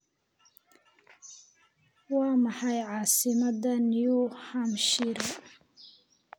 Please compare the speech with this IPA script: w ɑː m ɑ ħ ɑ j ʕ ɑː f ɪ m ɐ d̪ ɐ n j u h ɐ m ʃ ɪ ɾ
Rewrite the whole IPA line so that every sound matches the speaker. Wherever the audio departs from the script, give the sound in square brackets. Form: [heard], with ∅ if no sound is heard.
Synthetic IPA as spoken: w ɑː m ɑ ħ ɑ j ʕ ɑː [s] ɪ m ɐ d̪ ɐ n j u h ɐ m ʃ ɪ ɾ

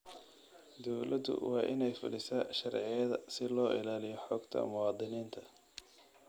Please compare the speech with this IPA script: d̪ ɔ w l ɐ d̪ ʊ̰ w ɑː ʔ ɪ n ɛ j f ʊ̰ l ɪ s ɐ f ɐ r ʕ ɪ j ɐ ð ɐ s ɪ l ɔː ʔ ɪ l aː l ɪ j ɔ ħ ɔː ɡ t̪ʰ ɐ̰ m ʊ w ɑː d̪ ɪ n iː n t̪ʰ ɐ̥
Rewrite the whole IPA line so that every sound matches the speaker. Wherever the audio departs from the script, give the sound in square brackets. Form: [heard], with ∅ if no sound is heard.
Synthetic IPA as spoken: d̪ ɔ w l ɐ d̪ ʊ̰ w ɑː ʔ ɪ n ɛ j f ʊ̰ l ɪ s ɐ [ʃ] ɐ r ʕ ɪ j ɐ ð ɐ s ɪ l ɔː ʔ ɪ l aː l ɪ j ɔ ħ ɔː ɡ t̪ʰ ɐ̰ m ʊ w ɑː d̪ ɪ n iː n t̪ʰ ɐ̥

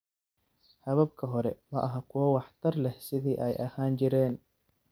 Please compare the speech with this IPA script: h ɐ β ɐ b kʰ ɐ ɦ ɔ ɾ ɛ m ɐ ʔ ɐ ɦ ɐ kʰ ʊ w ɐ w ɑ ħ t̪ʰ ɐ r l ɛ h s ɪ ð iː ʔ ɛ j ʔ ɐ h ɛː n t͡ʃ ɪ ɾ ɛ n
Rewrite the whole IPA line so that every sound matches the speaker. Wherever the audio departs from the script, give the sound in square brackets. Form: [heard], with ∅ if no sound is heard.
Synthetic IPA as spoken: h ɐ β ɐ b kʰ ɐ ɦ ɔ ɾ ɛ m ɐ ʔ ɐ ɦ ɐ kʰ ʊ w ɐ w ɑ ħ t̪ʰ ɐ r l ɛ h s ɪ ð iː ʔ ɛ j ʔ ɐ h [aː] n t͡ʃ ɪ ɾ [ɛː] n

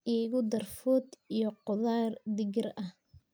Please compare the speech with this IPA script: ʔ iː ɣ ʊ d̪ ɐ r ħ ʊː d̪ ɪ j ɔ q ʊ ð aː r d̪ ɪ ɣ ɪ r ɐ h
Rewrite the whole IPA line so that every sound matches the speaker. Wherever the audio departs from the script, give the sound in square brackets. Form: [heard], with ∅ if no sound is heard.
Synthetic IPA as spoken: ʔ iː ɣ ʊ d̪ ɐ r [f] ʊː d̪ [i] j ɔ q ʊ ð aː r d̪ ɪ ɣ ɪ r ɐ h

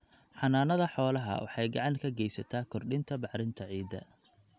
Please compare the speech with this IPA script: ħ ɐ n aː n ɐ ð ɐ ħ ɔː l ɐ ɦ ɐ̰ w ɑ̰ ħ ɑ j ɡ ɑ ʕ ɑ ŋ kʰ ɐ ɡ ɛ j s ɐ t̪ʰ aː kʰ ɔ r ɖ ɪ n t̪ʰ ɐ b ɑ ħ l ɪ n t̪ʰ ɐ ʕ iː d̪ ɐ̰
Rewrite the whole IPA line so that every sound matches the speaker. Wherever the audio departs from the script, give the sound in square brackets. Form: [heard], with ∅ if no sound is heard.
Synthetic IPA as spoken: ħ [ɑ] n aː n ɐ ð ɐ ħ ɔː l ɐ ɦ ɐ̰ w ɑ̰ ħ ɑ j ɡ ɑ ʕ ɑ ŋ kʰ ɐ ɡ ɛ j s ɐ t̪ʰ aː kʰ ɔ r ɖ ɪ n t̪ʰ ɐ b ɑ ħ [ɾ] ɪ n t̪ʰ ɐ ʕ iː d̪ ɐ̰

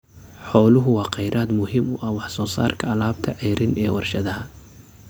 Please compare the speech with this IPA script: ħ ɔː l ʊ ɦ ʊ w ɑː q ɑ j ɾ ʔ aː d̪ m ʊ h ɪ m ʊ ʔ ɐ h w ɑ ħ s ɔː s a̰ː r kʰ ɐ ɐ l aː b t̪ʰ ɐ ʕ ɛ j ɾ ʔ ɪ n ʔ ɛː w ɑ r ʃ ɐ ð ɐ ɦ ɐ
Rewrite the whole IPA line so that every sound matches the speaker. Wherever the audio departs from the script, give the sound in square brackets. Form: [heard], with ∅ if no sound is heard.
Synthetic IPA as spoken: ħ ɔː l ʊ ɦ ʊ w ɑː q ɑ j ɾ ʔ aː d̪ m ʊ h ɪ m ʊ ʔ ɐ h w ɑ ħ s ɔː s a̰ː r kʰ ɐ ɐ l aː b t̪ʰ ɐ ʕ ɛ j ɾ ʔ ɪ n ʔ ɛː w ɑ r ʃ ɐ ð ɐ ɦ ɐ

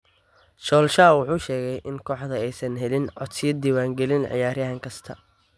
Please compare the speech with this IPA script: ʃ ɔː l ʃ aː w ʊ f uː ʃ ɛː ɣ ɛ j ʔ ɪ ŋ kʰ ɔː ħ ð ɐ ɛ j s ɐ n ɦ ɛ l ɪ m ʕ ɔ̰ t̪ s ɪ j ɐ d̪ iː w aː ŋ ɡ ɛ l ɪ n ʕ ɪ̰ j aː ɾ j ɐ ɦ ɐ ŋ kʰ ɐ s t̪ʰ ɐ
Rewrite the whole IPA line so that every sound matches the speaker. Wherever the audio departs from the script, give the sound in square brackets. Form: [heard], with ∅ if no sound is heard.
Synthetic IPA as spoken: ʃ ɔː l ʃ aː w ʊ [ħ] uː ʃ ɛː ɣ ɛ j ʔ ɪ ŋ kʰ ɔː ħ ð ɐ ɛ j s ɐ n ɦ ɛ l ɪ [n] ʕ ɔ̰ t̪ s ɪ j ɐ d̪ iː w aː ŋ ɡ ɛ l ɪ n ʕ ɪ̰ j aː ɾ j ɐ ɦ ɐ ŋ kʰ ɐ s t̪ʰ ɐ

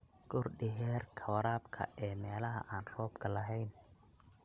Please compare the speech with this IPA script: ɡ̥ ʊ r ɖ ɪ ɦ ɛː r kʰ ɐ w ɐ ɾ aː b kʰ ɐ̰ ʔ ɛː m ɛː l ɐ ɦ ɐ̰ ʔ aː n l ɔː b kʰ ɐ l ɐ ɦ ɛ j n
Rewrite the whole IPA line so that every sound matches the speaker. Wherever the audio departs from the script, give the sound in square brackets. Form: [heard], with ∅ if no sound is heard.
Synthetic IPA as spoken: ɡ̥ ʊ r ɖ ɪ ɦ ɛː r kʰ ɐ w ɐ ɾ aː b kʰ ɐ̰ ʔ ɛː m ɛː l ɐ ɦ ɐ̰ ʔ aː n [r] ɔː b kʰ ɐ l ɐ ɦ ɛ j n

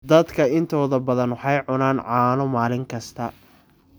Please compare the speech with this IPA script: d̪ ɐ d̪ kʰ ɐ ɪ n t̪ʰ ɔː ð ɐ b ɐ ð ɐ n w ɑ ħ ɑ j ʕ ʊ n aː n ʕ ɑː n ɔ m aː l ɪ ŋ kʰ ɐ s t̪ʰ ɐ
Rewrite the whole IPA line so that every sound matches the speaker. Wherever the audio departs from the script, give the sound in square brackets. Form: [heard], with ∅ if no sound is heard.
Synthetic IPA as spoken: d̪ ɐ d̪ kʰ ɐ ɪ n t̪ʰ ɔː ð ɐ b ɐ ð ɐ n w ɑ ħ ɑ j ʕ ʊ n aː n ʕ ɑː n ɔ m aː l ɪ ŋ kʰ ɐ s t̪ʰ ɐ

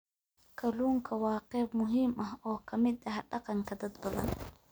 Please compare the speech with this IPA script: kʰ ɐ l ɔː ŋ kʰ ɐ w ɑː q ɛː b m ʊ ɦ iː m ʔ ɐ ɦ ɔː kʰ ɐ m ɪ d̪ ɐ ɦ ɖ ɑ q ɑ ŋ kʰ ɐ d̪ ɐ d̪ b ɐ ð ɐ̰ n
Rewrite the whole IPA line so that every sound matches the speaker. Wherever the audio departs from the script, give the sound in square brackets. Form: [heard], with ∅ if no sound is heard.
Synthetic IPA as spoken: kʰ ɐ l [uː] ŋ kʰ ɐ w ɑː q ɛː b m ʊ ɦ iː m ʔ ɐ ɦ ɔː kʰ ɐ m ɪ d̪ ɐ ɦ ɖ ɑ q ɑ ŋ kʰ ɐ d̪ ɐ d̪ b ɐ ð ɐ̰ n

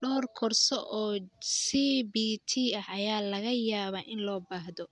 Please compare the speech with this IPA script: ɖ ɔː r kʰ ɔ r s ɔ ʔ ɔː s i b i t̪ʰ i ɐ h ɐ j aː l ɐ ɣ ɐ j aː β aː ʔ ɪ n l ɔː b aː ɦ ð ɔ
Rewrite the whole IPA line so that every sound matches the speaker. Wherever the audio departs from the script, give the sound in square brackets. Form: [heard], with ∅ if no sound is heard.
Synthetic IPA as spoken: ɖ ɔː r kʰ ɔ r s ɔ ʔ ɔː s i b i t̪ʰ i ɐ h ɐ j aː l ɐ ɣ ɐ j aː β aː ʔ ɪ n l ɔː b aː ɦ ð ɔ

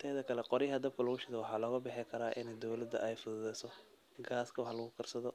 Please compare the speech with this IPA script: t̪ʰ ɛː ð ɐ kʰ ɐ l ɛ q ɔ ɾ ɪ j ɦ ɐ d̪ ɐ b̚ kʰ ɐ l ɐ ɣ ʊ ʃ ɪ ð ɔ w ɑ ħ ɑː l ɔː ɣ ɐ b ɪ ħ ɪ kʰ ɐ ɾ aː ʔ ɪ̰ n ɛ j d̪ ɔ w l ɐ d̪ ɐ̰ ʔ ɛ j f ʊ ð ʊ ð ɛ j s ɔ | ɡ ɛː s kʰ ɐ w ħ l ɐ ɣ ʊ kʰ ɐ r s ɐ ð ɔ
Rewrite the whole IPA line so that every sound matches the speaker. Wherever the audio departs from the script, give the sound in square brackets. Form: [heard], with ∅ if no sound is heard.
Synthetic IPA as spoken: t̪ʰ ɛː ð ɐ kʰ ɐ l ɛ q ɔ ɾ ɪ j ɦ ɐ d̪ ɐ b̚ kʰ ɐ l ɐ ɣ ʊ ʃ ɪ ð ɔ w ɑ ħ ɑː l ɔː ɣ ɐ b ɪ ħ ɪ kʰ ɐ ɾ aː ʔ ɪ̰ n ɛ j d̪ ɔ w l ɐ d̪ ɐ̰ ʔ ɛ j f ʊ ð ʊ ð ɛ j s ɔ | ɡ [aː] s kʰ ɐ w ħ l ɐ ɣ ʊ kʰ ɐ r s ɐ ð ɔ

